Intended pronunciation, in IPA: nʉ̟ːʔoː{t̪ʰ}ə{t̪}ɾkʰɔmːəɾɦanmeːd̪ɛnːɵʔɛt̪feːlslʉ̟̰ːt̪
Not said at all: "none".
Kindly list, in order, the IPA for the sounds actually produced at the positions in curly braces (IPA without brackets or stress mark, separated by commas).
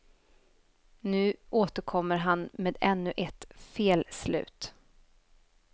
t̪, none